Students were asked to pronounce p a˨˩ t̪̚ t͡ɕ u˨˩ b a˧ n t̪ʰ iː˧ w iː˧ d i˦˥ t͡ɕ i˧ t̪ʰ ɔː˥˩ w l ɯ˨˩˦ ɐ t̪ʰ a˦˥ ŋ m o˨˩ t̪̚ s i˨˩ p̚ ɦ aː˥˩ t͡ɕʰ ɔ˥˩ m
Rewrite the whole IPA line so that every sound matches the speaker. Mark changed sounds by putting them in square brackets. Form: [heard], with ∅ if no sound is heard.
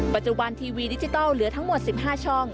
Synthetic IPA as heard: p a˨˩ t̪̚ t͡ɕ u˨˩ b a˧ n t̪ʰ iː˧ w iː˧ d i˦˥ t͡ɕ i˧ [t̪] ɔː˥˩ w l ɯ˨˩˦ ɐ t̪ʰ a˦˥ ŋ m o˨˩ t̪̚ s i˨˩ p̚ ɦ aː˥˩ t͡ɕʰ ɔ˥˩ [ŋ]